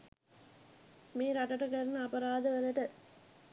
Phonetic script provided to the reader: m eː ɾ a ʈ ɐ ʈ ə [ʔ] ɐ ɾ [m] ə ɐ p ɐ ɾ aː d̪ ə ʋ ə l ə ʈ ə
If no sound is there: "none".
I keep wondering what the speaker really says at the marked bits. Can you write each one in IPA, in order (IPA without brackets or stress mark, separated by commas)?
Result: k, n